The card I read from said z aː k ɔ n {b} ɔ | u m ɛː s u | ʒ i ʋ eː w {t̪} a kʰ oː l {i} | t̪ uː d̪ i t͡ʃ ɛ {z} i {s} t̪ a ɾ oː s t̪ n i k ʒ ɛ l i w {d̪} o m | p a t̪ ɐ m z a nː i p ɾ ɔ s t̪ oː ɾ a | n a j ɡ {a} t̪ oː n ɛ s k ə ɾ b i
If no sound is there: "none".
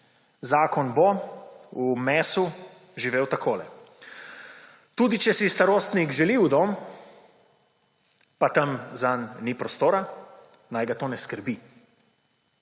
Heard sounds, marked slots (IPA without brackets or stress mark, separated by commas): b, t̪, ɛ, s, s, d̪, a